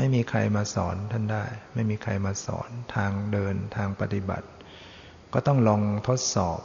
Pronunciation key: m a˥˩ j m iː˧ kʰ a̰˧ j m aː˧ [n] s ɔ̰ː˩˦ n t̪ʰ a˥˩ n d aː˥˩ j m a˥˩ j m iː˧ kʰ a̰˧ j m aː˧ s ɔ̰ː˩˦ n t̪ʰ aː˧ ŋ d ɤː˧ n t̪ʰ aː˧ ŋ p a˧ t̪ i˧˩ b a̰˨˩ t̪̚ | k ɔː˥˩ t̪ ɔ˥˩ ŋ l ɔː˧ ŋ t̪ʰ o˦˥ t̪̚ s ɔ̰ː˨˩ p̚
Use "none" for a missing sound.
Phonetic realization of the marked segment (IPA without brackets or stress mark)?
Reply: none